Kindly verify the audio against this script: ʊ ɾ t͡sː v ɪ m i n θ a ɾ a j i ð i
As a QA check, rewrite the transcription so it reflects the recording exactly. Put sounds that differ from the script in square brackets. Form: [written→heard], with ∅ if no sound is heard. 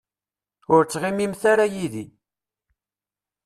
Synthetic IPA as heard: ʊ ɾ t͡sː [v→ʁ] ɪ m i [n→m] θ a ɾ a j i ð i